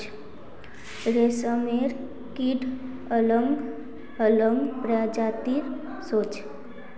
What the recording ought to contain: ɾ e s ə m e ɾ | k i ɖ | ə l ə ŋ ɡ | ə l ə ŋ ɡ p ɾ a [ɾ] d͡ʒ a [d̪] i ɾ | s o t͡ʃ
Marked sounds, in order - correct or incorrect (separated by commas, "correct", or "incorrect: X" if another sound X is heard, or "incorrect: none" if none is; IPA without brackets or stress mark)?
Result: incorrect: none, incorrect: t̪